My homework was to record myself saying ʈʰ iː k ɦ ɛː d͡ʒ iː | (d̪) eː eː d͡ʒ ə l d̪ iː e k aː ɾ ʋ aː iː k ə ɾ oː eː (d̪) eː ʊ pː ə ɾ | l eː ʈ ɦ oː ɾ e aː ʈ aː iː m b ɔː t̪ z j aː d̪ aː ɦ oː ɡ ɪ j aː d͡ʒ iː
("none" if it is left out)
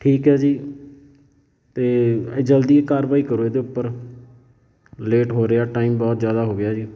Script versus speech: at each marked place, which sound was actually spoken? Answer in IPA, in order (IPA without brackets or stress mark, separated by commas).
t̪, d̪